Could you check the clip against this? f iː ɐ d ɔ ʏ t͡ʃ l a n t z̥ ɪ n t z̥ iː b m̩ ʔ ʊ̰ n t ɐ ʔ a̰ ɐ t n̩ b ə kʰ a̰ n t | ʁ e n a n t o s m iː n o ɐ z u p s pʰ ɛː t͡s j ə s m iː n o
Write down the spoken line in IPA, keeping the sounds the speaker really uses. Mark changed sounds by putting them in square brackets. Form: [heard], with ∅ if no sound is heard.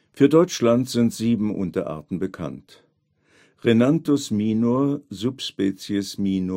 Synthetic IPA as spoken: f [yː] ɐ d ɔ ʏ t͡ʃ l a n t z̥ ɪ n t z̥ iː b m̩ ʔ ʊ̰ n t ɐ ʔ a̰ ɐ t n̩ b ə kʰ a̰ n t | ʁ e n a n t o s m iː n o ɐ z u p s [p] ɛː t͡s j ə s m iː n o